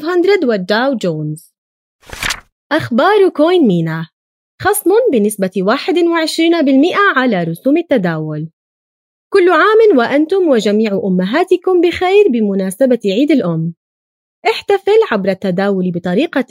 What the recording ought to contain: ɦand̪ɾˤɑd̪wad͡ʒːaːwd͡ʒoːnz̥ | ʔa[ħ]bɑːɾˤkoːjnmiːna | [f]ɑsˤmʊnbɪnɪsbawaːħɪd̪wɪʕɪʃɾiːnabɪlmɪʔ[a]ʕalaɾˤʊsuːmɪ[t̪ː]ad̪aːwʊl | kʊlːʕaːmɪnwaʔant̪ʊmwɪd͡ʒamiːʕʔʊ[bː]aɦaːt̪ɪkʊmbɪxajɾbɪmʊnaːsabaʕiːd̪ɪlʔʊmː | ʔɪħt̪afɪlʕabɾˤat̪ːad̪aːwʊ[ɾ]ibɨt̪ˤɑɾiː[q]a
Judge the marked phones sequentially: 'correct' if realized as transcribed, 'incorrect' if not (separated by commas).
incorrect, incorrect, correct, correct, incorrect, incorrect, correct